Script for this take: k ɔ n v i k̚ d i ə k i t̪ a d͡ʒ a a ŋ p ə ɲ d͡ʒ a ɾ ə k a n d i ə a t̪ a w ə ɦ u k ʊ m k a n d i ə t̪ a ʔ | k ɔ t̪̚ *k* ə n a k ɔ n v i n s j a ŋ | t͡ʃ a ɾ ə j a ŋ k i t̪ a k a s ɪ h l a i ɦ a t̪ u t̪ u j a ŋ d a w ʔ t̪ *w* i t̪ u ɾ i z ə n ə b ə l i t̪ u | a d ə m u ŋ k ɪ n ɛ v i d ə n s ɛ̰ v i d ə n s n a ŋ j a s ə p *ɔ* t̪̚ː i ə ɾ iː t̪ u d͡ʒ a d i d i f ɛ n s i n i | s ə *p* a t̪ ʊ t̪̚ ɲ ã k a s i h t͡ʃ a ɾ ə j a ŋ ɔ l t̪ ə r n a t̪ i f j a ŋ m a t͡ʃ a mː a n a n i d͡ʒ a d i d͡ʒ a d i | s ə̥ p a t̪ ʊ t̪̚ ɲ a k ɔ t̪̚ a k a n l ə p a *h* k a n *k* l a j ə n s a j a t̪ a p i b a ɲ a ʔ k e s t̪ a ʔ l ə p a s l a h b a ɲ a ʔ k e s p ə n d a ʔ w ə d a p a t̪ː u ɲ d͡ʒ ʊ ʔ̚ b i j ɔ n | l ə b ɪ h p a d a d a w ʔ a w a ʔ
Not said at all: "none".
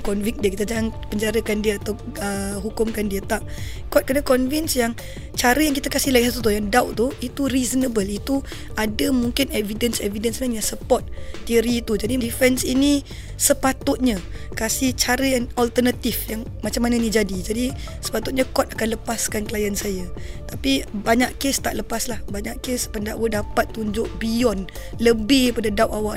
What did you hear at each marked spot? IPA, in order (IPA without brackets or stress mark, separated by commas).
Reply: k, u, ɔ, p, s, k